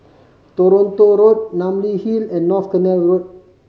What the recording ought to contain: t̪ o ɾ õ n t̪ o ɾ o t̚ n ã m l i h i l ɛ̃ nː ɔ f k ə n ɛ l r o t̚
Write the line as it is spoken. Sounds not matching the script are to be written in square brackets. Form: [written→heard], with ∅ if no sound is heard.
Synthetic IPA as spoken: t̪ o ɾ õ n t̪ o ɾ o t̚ n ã m l i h i l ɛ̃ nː ɔ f k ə n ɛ l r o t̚